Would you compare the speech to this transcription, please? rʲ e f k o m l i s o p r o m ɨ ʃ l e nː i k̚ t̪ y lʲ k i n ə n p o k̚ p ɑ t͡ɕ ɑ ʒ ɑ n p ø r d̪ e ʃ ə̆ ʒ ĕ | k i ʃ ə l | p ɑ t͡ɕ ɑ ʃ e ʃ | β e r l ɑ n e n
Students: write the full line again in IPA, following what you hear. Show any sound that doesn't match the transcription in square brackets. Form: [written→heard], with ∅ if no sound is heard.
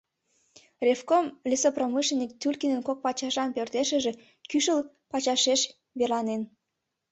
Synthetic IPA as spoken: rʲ e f k o m l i s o p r o m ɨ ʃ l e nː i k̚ t̪ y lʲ k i n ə n [p→k] o k̚ p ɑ t͡ɕ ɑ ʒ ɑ n p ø r [d̪→t̪] e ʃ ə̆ ʒ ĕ | k [i→y] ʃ ə l | p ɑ t͡ɕ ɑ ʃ e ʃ | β e r l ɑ n e n